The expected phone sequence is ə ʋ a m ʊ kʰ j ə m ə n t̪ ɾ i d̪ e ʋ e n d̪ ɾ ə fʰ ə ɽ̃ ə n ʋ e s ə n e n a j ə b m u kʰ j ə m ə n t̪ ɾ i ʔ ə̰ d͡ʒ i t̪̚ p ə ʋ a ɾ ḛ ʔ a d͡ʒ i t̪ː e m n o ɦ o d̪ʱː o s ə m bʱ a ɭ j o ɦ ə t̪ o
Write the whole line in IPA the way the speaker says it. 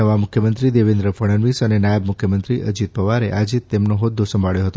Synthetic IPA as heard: ə ʋ a m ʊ kʰ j ə m ə n t̪ ɾ i d̪ e ʋ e n d̪ ɾ ə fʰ ə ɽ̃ ə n ʋ i s ə n e n a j ə b m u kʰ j ə m ə n t̪ ɾ i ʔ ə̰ d͡ʒ i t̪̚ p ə ʋ a ɾ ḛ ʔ a d͡ʒ i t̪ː e m n o ɦ o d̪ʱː o s ə m bʱ a ɭ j o ɦ ə t̪ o